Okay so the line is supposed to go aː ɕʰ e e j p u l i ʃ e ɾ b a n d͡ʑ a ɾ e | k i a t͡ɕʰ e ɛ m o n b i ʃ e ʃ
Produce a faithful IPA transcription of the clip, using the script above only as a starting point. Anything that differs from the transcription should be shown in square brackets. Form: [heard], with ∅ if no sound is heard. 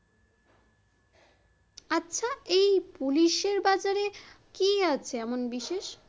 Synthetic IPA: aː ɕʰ [a] e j p u l i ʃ e ɾ b a [∅] d͡ʑ a ɾ e | k i a t͡ɕʰ e ɛ m o n b i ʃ e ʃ